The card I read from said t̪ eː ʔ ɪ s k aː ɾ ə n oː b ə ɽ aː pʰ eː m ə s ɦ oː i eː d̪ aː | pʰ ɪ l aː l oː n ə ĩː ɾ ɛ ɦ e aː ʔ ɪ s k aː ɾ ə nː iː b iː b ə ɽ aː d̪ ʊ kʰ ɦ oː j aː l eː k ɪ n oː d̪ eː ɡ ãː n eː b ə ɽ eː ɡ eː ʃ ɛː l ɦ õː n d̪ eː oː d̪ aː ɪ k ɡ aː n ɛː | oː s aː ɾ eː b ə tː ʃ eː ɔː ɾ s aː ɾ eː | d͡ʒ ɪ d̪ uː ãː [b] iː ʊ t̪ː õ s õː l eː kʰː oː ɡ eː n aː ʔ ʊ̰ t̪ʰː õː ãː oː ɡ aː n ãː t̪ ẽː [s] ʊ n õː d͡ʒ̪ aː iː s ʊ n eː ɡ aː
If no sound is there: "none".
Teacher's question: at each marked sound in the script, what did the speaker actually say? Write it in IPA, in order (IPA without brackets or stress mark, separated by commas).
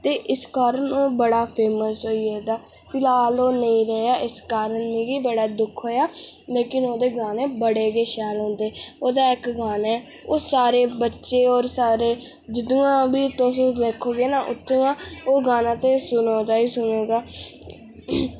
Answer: b, s